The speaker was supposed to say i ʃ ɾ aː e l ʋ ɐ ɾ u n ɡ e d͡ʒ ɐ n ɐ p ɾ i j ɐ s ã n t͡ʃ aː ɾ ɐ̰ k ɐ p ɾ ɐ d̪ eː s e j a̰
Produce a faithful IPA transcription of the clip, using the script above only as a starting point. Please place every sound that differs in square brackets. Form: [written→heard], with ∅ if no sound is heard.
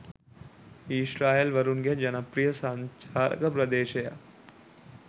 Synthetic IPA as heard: i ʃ ɾ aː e l ʋ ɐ ɾ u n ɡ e d͡ʒ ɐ n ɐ p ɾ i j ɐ s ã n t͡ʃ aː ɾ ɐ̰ k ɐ p ɾ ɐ d̪ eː [s→ʃ] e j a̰